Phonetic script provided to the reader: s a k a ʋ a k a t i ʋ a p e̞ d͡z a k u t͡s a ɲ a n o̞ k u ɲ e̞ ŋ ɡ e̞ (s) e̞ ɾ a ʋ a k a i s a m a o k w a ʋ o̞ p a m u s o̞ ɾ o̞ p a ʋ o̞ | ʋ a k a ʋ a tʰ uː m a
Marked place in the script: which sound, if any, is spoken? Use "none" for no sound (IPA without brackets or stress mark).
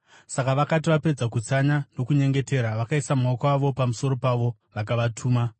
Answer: t